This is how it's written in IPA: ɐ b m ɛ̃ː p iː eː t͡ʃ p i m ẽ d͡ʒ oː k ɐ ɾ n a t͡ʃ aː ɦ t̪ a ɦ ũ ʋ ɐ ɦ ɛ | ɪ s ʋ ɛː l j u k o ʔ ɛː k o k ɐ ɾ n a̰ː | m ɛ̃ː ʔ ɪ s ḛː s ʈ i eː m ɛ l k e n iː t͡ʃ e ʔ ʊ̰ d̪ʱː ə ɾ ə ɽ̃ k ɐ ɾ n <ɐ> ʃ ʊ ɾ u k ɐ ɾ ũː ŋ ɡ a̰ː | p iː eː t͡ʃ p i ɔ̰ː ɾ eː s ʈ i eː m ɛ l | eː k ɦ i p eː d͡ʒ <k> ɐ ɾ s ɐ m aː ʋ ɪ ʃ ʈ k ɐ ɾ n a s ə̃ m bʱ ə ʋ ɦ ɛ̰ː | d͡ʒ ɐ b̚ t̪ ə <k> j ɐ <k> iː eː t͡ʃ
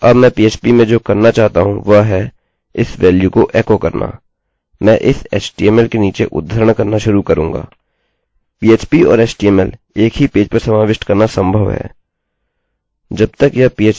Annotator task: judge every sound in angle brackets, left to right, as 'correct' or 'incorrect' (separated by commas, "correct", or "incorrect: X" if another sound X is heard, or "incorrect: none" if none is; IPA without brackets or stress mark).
incorrect: a, incorrect: p, correct, incorrect: p